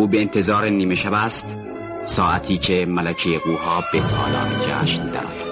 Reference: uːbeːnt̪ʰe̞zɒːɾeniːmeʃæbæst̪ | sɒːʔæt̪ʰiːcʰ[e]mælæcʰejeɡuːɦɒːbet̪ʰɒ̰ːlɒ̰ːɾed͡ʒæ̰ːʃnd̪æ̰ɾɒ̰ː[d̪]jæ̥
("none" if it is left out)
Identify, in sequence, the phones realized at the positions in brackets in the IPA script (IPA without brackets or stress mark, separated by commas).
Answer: e, none